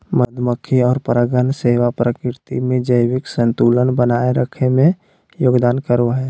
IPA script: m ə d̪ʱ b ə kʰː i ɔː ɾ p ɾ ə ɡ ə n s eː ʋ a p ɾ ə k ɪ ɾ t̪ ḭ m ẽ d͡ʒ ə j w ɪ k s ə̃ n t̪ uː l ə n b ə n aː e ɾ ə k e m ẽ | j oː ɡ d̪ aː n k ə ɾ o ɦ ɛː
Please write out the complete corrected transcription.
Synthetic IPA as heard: m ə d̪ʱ m ə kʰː i ɔː ɾ p ɾ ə ɡ ə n s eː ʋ a p ɾ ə k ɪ ɾ t̪ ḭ m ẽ d͡ʒ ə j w ɪ k s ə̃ n t̪ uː l ə n b ə n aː e ɾ ə kʰ e m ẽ | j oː ɡ d̪ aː n k ə ɾ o ɦ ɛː